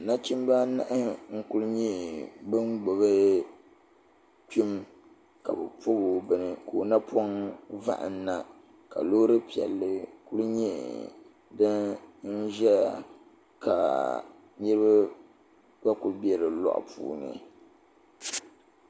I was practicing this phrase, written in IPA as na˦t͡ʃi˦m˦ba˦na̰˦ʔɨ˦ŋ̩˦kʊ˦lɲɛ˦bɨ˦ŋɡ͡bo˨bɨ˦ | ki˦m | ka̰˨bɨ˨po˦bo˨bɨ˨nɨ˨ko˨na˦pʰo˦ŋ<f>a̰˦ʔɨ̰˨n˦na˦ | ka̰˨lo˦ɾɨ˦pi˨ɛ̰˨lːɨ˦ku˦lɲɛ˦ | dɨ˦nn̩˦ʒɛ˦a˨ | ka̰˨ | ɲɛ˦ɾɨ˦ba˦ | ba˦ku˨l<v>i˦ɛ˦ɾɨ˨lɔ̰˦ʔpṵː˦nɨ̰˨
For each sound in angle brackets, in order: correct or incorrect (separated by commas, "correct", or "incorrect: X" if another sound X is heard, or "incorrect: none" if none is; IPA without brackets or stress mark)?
incorrect: v, incorrect: b